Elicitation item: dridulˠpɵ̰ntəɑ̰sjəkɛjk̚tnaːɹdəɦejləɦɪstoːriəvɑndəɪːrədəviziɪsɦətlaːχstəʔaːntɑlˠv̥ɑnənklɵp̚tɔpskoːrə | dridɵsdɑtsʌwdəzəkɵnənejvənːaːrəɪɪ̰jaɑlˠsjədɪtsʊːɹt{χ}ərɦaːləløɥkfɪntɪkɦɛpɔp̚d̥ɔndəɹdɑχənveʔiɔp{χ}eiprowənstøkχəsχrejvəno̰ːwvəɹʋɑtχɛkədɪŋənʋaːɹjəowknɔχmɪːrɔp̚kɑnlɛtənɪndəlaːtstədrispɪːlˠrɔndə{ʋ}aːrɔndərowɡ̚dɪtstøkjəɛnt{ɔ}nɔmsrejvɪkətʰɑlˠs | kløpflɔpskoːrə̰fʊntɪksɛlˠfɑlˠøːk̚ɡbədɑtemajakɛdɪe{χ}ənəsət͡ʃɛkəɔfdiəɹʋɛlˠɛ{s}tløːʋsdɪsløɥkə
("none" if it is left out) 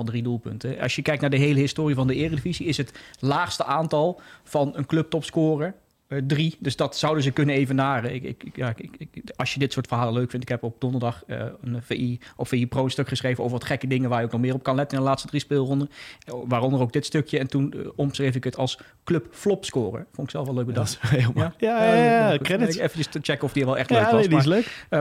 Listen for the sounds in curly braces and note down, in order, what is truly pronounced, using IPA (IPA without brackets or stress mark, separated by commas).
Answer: f, f, ʋ, u, f, χ